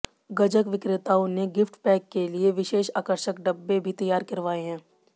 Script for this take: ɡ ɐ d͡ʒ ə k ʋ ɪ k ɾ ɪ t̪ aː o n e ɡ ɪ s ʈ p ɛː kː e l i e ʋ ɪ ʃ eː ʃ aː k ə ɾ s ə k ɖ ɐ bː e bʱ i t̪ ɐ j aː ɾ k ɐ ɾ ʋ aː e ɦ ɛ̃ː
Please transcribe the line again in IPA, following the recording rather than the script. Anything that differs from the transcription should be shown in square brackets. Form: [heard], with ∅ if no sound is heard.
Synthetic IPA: ɡ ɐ d͡ʒ ə k ʋ ɪ k ɾ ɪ t̪ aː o n e ɡ ɪ [f] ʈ p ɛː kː e l i e ʋ ɪ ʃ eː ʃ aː k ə ɾ [ʃ] ə k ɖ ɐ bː e bʱ i t̪ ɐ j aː ɾ k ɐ ɾ ʋ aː e ɦ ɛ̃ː